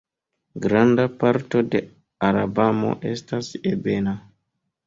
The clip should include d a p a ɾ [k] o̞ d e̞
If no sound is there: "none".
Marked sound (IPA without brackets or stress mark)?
t